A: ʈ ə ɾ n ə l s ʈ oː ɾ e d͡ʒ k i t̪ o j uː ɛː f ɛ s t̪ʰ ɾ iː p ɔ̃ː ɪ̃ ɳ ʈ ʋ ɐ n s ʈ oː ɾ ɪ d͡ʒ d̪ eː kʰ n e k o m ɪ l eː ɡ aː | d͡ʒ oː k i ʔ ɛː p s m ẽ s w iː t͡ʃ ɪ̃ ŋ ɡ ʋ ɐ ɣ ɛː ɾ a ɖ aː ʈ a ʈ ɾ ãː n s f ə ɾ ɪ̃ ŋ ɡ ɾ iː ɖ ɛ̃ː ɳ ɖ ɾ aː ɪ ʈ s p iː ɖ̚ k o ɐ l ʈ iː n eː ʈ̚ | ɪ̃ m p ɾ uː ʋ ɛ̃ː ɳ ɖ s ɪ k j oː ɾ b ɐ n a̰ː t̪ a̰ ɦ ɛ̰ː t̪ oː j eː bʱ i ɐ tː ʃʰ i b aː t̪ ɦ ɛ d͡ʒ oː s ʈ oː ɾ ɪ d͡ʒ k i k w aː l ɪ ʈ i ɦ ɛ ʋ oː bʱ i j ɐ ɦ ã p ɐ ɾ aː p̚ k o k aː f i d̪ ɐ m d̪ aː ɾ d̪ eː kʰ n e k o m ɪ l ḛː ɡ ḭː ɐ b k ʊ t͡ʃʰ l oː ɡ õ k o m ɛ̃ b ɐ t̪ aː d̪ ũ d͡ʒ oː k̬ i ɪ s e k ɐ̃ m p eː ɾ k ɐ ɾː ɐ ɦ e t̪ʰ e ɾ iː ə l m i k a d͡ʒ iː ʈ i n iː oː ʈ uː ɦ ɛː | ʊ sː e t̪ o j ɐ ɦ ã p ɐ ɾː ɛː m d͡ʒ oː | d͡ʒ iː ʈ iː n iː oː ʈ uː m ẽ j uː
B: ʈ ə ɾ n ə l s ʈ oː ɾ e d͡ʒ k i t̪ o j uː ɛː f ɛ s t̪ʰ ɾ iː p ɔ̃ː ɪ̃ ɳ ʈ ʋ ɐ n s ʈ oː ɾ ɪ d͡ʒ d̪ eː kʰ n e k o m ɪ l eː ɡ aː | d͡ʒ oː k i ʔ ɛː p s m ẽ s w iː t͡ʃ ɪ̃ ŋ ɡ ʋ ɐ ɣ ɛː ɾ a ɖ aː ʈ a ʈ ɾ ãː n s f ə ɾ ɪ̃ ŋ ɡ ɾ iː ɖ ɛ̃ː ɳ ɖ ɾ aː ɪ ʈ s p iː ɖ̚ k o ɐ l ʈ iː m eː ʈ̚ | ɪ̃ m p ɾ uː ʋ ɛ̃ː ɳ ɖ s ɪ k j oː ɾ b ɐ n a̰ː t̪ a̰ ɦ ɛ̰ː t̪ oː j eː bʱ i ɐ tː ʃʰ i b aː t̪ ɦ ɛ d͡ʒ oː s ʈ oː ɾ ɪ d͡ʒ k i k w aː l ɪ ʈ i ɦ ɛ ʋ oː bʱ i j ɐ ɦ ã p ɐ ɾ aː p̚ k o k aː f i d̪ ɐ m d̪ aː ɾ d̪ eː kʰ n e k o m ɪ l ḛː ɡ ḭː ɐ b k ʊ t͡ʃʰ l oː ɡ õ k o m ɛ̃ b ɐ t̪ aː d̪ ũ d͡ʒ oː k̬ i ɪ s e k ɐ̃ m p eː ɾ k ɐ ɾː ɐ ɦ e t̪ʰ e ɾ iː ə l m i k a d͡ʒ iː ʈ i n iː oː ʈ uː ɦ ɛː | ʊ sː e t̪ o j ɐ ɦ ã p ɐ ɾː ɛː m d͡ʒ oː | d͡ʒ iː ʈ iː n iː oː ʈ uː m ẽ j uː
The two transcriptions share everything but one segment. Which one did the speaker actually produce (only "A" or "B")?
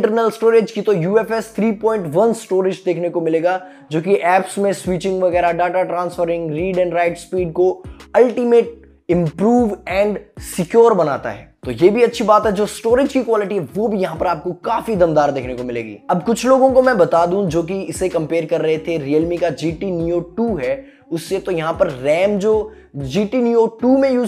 B